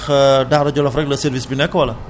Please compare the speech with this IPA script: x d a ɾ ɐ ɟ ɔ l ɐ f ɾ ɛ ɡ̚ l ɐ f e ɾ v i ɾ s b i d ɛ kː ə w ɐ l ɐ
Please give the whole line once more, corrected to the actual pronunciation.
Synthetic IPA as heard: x d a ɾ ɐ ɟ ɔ l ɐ f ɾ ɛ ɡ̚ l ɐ s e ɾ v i s b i n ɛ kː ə w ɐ l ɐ